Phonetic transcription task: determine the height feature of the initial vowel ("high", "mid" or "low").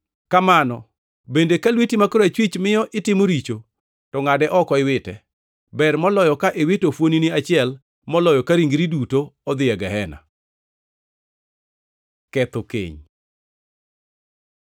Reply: low